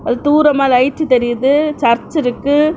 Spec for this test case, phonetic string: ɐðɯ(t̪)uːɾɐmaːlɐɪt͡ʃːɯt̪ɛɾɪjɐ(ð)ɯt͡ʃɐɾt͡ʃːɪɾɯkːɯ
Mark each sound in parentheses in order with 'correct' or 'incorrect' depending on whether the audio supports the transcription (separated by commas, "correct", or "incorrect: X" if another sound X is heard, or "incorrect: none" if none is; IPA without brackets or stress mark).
correct, correct